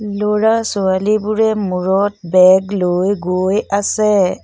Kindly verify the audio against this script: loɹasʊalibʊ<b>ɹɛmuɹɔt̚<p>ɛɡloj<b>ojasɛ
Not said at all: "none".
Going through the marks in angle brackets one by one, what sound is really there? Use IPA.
none, b, ɡ

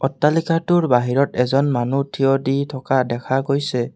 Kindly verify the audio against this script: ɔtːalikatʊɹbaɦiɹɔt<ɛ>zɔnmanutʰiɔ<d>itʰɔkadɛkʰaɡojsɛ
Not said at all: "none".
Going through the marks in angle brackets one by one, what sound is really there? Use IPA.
ɛ, d

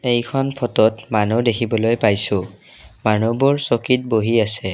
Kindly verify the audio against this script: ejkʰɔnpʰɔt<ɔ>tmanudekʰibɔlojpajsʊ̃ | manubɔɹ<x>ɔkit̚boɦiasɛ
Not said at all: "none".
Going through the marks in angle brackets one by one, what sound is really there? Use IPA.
ɔ, s

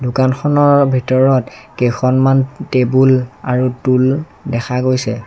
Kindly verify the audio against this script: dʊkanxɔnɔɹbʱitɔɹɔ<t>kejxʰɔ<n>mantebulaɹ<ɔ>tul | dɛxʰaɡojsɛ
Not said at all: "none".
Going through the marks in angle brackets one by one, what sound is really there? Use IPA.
t, n, u

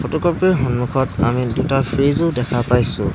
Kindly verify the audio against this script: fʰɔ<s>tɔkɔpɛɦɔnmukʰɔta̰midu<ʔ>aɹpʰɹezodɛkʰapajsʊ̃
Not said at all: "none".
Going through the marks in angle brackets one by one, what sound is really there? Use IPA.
none, t

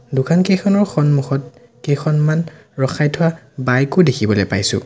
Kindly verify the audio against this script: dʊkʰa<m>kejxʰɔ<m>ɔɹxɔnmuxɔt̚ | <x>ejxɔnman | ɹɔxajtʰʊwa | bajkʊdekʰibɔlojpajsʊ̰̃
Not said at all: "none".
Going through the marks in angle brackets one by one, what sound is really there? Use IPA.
n, n, k

